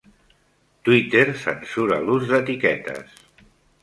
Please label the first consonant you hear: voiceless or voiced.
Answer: voiceless